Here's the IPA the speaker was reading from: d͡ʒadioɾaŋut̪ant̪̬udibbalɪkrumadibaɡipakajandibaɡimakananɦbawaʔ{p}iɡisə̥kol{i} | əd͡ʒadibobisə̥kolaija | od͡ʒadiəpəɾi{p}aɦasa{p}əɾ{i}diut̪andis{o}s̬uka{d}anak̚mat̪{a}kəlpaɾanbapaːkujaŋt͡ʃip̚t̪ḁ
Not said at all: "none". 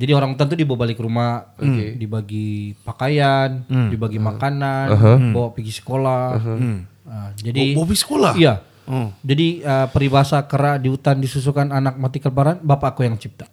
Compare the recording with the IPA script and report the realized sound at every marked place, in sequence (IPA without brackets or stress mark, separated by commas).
p, a, b, k, a, u, n, i